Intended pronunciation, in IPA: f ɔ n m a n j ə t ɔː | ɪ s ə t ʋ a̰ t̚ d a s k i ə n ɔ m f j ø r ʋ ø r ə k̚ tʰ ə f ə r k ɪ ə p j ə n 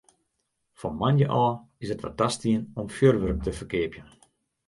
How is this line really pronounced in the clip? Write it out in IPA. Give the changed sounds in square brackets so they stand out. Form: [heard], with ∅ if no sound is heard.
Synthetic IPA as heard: f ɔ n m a n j ə [ʔ] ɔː | ɪ s ə t ʋ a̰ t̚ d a s [t] i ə n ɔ m f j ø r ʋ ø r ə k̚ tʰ ə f ə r k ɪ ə p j ə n